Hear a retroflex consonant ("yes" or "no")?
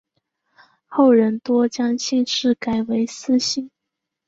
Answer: yes